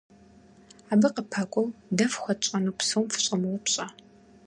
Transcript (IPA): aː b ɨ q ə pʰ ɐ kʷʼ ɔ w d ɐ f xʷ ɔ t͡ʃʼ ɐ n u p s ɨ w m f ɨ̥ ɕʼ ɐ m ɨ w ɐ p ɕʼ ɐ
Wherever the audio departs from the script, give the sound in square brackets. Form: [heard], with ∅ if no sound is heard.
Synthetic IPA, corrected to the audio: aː b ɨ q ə pʰ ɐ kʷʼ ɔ w d ɐ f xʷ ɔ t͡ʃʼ ɐ n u p s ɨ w m f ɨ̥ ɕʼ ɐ m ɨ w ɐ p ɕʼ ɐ